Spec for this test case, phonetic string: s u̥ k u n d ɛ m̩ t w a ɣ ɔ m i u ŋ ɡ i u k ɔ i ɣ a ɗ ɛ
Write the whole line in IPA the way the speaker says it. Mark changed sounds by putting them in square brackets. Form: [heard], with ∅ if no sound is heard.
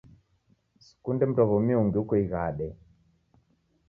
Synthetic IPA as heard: s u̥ k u n d ɛ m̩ t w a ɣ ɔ m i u ŋ ɡ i u k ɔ i ɣ a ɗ ɛ